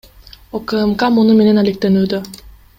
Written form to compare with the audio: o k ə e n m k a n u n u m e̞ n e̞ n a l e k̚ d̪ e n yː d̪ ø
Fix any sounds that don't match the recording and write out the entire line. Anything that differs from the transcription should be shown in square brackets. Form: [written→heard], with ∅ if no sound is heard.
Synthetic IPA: o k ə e [n→∅] m k a [n→m] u n u m e̞ n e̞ n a l e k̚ [d̪→t̪] e n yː d̪ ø